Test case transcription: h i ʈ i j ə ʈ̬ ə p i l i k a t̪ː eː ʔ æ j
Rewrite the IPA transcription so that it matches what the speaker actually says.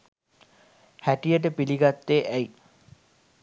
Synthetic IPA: h æ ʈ i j ə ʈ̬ ə p i l i ɡ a t̪ː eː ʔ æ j